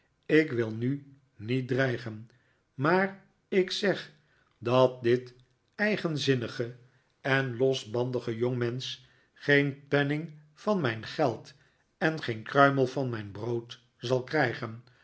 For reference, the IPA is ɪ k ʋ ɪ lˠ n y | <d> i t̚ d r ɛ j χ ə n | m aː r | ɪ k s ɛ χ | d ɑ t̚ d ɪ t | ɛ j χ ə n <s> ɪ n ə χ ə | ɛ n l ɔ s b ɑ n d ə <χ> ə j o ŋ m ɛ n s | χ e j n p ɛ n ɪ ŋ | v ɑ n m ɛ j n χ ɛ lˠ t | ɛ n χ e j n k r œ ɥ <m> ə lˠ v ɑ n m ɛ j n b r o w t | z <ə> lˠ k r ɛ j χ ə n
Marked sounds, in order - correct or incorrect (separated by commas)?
incorrect, incorrect, correct, correct, incorrect